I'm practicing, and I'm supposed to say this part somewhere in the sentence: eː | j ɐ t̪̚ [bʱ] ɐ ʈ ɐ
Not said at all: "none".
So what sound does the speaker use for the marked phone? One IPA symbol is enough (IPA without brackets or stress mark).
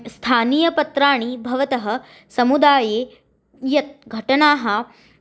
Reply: ɡʱ